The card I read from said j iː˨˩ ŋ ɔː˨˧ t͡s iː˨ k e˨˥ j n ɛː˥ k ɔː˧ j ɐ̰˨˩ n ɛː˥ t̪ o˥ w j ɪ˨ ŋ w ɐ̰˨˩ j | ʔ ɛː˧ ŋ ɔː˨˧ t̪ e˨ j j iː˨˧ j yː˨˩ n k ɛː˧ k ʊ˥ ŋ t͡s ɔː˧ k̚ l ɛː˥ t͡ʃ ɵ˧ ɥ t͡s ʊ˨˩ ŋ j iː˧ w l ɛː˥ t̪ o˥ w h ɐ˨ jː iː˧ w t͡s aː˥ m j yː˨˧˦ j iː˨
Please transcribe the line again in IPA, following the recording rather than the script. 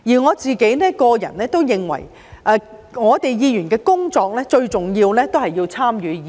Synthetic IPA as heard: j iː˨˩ ŋ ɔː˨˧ t͡s iː˨ k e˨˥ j n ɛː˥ k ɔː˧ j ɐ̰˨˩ n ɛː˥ t̪ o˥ w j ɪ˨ ŋ w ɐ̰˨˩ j | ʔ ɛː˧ ŋ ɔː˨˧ t̪ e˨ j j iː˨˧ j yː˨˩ n k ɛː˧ k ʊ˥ ŋ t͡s ɔː˧ k̚ l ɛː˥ t͡ʃ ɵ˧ ɥ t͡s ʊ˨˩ ŋ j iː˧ w l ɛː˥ t̪ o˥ w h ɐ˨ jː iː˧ w t͡sʰ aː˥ m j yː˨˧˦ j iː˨